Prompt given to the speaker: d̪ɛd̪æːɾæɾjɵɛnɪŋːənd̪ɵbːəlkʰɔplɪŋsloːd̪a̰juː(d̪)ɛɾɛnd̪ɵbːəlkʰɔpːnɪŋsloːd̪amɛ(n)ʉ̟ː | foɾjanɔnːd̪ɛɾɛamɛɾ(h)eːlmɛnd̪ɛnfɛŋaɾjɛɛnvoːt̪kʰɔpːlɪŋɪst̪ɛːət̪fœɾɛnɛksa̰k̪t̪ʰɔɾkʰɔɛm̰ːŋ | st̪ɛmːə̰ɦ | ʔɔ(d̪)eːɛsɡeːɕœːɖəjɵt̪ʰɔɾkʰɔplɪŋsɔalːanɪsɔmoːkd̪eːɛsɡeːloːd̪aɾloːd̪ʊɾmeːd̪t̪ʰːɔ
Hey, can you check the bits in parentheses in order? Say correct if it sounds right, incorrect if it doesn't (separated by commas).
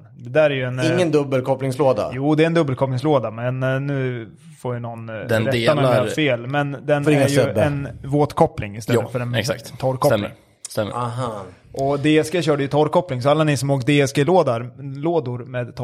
correct, incorrect, incorrect, correct